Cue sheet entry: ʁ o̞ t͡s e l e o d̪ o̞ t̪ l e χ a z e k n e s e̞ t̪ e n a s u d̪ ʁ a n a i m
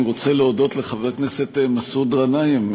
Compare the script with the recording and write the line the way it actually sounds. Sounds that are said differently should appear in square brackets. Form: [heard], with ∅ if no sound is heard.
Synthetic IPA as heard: ʁ o̞ t͡s e l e o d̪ o̞ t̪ l e χ a [v] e k n e s e̞ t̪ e [m] a s u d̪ ʁ a n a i m